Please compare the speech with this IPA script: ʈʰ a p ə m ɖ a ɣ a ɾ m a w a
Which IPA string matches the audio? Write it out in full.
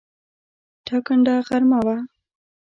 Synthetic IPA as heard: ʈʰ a k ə ɳ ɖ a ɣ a ɾ m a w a